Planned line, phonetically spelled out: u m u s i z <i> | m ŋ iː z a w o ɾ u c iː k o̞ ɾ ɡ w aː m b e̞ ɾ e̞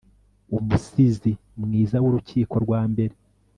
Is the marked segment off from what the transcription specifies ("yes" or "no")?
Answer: no